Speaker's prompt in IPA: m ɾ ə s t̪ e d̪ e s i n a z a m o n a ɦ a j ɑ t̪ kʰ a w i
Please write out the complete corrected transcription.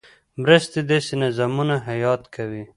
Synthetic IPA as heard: m ɾ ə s t̪ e d̪ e s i n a z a m u n a ɦ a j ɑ t̪ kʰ a w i